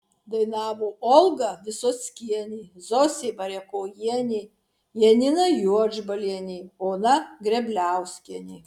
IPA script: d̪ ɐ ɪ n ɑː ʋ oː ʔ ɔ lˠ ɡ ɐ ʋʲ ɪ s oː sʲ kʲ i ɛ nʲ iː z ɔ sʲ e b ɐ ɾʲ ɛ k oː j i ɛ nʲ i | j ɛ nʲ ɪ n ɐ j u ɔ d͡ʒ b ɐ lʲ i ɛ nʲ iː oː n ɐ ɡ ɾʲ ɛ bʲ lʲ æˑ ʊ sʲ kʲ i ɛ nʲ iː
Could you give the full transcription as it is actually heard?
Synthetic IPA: d̪ ɐ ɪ n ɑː ʋ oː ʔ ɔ lˠ ɡ ɐ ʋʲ ɪ s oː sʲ kʲ i ɛ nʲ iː z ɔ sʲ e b ɐ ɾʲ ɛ k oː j i ɛ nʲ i | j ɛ nʲ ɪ n ɐ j u ɔ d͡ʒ b ɐ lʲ i ɛ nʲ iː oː n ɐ ɡ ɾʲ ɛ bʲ lʲ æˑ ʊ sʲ kʲ i ɛ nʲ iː